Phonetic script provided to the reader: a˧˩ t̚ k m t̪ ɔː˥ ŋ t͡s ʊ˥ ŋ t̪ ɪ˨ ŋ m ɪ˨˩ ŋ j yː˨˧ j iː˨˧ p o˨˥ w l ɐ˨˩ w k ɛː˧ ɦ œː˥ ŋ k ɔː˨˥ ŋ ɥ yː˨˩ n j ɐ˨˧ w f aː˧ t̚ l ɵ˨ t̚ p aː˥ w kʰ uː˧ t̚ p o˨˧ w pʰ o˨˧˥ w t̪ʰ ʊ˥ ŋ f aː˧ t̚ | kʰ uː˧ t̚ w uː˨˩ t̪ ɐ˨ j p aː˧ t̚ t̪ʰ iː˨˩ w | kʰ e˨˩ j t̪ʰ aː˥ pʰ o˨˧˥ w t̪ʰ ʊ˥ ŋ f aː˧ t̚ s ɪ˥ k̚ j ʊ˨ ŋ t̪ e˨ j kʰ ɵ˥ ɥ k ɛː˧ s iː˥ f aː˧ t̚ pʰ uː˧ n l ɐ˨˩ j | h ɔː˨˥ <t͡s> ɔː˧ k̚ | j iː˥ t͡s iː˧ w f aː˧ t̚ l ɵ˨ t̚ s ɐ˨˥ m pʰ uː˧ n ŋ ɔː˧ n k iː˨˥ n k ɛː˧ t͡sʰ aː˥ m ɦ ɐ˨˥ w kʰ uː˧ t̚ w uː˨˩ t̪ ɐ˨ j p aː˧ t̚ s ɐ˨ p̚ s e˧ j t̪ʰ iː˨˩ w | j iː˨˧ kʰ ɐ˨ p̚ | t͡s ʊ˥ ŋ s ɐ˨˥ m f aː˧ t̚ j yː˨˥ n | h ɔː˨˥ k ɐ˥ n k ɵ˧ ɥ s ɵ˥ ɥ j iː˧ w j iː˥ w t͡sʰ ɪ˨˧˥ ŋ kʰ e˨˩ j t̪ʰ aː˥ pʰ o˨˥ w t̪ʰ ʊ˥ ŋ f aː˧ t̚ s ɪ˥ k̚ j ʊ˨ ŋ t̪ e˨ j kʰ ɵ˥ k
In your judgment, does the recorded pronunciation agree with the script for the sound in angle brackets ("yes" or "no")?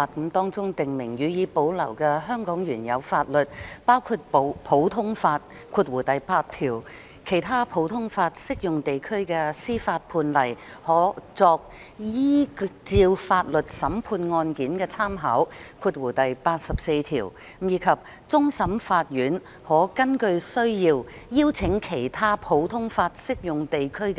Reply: yes